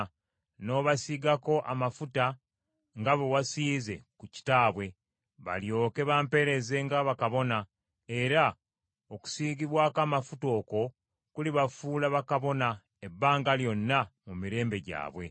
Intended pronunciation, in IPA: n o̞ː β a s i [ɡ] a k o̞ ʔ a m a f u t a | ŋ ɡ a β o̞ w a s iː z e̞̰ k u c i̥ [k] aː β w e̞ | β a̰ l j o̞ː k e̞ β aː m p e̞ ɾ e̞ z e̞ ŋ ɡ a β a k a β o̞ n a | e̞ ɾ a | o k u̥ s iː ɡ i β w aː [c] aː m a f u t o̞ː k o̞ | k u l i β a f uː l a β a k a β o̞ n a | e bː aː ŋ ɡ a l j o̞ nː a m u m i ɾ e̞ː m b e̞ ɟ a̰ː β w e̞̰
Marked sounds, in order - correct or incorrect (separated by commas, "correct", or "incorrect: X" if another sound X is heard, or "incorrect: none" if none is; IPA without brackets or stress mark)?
correct, incorrect: t, incorrect: k